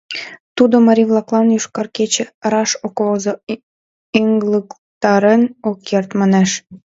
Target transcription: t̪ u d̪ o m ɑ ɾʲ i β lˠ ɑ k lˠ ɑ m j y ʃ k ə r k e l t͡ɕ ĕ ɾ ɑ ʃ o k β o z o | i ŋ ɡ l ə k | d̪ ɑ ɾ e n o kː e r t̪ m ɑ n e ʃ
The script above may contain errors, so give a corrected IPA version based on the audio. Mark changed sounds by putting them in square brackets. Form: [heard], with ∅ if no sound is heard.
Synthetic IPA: t̪ u d̪ o m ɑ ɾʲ i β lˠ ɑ k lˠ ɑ [n] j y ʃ k [ɑ] r k e [∅] t͡ɕ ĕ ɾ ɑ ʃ o k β o z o | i ŋ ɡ l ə k | [t̪] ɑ ɾ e n o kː e r t̪ m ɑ n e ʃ